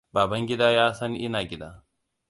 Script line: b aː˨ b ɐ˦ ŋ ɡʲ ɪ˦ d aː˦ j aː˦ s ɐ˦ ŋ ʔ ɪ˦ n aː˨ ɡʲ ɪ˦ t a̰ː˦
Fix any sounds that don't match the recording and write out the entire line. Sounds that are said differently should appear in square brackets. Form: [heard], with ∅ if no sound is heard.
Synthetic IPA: b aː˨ b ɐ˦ ŋ ɡʲ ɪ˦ d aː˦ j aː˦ s ɐ˦ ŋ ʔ ɪ˦ n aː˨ ɡʲ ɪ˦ [d] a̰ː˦